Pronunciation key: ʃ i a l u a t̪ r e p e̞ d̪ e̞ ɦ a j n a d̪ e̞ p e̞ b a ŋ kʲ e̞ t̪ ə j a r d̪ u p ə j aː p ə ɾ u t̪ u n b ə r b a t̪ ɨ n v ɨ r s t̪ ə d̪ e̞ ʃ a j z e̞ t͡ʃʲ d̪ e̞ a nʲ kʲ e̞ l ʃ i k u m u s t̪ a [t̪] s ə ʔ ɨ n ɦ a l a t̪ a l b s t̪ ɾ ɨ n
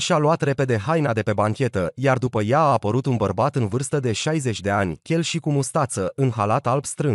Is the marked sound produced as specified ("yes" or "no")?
yes